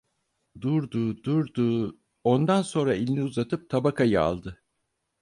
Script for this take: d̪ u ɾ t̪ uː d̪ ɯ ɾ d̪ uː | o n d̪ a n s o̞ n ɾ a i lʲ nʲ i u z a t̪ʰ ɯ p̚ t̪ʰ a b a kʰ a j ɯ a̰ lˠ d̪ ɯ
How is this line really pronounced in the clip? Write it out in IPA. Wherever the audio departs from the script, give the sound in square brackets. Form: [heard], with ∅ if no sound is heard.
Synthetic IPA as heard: d̪ u ɾ [d̪] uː d̪ [u] ɾ d̪ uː | o n d̪ a n s o̞ n ɾ a i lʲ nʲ i u z a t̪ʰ ɯ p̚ t̪ʰ a b a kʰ a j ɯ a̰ lˠ d̪ ɯ